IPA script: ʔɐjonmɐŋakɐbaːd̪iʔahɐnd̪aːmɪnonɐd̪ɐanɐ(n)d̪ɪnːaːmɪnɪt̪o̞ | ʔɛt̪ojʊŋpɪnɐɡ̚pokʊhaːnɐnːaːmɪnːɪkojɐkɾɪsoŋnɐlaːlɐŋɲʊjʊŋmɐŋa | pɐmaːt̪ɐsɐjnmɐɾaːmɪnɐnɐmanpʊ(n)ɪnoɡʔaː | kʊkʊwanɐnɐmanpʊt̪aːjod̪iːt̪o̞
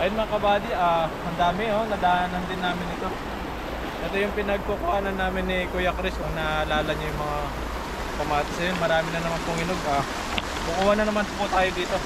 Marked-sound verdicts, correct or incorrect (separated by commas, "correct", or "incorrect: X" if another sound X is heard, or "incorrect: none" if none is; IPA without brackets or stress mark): correct, incorrect: ŋ